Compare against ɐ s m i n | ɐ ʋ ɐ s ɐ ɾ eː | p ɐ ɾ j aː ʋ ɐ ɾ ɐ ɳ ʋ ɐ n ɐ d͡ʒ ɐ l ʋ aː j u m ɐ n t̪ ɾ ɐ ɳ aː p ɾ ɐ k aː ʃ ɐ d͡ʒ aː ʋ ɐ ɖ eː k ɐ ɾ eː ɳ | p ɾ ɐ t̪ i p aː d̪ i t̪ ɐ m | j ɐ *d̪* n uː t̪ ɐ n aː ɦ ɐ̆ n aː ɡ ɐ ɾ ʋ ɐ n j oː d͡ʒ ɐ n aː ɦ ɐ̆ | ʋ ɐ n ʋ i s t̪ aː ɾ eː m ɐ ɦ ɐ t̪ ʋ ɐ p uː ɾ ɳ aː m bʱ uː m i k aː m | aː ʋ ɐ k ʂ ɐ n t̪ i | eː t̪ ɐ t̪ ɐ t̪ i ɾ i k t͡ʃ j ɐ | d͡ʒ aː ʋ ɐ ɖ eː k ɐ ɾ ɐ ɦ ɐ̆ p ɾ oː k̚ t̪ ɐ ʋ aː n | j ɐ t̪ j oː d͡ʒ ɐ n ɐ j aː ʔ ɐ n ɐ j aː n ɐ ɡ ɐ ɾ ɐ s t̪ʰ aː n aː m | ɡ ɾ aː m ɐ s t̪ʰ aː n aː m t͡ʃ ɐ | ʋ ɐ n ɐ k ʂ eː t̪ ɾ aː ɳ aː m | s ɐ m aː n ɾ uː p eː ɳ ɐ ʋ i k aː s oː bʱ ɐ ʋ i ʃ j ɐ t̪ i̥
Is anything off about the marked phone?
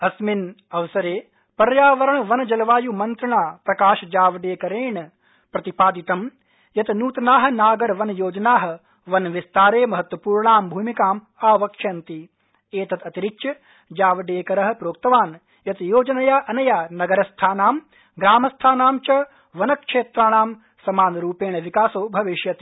yes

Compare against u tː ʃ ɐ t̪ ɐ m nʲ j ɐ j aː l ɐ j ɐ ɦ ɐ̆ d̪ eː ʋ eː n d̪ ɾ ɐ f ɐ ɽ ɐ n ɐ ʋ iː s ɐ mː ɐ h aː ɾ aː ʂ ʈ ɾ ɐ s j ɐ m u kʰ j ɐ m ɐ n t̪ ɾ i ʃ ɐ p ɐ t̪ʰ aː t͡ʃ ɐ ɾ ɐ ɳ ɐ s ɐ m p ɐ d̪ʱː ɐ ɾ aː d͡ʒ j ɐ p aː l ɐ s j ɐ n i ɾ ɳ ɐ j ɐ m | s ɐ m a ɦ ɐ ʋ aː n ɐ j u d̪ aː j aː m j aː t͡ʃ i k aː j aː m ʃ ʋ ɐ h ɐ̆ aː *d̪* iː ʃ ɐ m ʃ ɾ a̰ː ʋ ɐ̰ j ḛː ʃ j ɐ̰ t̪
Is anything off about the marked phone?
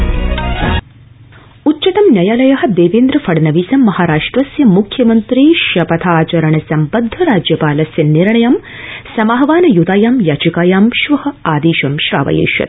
no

